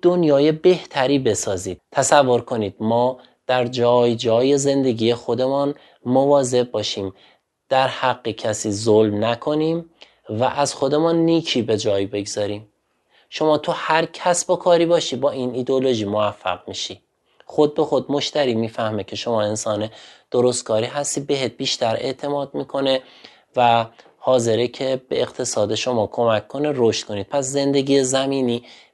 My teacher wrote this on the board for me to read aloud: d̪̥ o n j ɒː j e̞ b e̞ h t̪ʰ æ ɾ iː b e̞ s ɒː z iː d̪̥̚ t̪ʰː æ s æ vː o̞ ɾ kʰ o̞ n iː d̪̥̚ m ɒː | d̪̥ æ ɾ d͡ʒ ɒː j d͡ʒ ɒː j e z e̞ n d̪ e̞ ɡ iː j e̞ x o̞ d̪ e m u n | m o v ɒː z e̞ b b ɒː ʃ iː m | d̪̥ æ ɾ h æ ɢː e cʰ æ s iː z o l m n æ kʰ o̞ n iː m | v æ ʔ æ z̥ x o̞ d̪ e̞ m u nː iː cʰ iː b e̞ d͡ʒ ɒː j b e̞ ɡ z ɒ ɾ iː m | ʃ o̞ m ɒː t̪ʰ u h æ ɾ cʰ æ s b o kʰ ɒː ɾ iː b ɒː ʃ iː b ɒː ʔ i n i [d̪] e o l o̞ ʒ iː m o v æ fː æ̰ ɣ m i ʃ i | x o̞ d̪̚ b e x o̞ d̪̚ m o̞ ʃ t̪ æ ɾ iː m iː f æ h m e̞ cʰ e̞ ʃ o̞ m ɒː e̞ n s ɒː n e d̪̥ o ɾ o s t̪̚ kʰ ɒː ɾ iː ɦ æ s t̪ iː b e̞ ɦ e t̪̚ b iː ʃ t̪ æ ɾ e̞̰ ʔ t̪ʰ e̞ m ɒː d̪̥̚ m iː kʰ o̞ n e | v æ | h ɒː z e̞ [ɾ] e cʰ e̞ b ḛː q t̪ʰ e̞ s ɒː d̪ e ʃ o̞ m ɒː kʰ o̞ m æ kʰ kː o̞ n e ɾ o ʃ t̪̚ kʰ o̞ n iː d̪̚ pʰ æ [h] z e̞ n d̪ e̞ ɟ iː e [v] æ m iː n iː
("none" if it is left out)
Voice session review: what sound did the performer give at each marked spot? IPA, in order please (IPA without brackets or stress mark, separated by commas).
d̪, ɾ, s, z